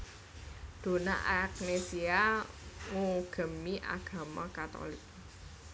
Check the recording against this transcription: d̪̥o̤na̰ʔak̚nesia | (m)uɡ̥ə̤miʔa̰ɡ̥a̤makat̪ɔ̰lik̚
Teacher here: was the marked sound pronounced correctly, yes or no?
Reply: no